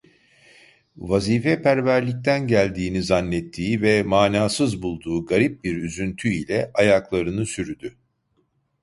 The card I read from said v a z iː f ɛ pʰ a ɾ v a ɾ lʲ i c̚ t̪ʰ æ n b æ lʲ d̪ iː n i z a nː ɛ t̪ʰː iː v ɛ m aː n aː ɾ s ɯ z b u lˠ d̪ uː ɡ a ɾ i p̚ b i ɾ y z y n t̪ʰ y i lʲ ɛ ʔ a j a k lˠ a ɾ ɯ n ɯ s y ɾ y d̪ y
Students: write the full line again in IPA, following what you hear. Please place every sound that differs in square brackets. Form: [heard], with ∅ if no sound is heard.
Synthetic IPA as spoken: v a z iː f ɛ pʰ [æ] ɾ v [æ] ɾ lʲ i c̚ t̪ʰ æ n [ɟ] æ lʲ d̪ iː n i z a nː ɛ t̪ʰː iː v ɛ m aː n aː [∅] s ɯ z b u lˠ d̪ uː ɡ a ɾ i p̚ b i ɾ y z y n t̪ʰ y i lʲ ɛ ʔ a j a k lˠ a ɾ ɯ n ɯ s y ɾ y d̪ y